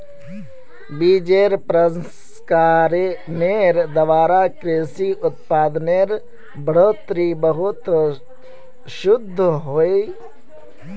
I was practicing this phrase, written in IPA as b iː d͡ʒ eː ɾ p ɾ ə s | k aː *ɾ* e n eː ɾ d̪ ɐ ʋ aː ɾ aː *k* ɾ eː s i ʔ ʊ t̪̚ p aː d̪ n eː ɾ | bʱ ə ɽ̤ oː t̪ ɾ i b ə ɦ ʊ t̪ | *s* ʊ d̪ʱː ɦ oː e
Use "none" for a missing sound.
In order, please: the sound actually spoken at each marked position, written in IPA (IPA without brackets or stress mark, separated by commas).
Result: ɾ, k, ʃ